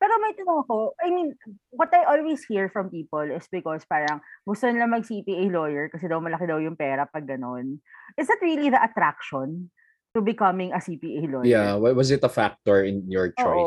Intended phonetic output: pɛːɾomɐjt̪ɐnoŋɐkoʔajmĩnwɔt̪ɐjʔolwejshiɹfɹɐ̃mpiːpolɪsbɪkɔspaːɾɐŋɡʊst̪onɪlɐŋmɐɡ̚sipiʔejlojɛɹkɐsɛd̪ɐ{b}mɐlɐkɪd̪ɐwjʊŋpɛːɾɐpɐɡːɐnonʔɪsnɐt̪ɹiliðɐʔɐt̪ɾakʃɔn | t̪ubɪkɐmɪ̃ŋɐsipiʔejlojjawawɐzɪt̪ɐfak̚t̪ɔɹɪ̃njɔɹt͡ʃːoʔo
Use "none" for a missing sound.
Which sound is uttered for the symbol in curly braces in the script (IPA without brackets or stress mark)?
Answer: w